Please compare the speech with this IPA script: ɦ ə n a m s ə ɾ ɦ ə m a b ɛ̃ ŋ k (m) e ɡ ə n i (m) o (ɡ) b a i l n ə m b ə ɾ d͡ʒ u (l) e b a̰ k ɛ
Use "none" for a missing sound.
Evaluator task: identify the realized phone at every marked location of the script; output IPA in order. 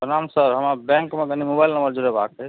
m, m, none, ɾ

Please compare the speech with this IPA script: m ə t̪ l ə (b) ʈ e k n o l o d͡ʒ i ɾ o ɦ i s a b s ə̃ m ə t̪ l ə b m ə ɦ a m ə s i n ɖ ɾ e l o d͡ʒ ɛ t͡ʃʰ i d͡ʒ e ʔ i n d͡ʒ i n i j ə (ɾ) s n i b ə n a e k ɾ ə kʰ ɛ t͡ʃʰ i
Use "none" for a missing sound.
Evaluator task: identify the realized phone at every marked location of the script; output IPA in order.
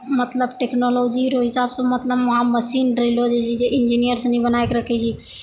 b, ɾ

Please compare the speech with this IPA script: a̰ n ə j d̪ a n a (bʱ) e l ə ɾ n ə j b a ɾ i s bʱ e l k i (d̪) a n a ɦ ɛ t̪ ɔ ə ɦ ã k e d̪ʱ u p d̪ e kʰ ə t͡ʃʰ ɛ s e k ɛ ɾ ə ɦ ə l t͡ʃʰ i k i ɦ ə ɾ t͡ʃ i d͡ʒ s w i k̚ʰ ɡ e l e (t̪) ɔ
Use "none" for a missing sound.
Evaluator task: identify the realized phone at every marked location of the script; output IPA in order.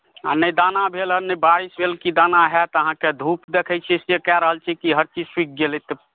bʱ, d̪, t̪

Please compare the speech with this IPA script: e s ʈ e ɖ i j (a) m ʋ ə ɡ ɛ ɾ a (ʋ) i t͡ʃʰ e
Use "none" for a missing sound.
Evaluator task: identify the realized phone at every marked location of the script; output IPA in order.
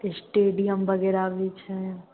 ə, ʋ

